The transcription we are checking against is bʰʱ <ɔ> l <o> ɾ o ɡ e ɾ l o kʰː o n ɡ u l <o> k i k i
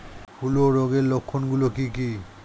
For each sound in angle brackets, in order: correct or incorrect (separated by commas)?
incorrect, correct, correct